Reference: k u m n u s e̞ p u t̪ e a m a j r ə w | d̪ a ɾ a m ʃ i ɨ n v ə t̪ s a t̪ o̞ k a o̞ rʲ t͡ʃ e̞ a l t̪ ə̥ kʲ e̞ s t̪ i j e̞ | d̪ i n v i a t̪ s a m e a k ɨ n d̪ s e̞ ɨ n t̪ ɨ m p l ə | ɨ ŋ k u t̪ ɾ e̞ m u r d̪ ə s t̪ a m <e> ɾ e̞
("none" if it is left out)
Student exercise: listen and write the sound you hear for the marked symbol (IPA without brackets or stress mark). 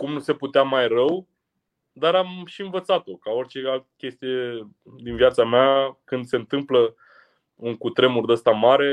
a